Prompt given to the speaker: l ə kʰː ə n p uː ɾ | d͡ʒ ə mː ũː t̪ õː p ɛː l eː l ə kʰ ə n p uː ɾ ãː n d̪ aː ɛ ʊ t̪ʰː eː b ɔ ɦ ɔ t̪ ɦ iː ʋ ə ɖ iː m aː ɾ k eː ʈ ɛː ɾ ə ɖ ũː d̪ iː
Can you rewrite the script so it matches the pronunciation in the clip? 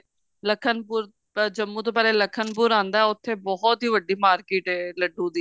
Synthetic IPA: l ə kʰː ə n p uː ɾ | d͡ʒ ə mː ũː t̪ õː p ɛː l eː l ə kʰ ə n p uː ɾ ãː n d̪ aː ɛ ʊ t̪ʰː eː b ɔ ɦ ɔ t̪ ɦ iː ʋ ə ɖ iː m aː ɾ k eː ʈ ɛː l ə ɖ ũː d̪ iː